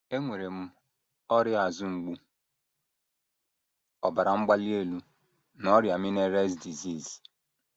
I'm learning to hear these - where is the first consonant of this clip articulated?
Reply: velum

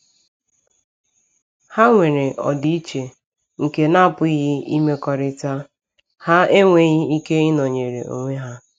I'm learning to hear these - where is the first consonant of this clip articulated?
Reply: throat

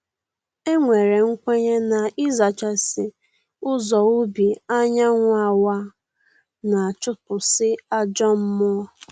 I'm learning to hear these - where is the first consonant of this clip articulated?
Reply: velum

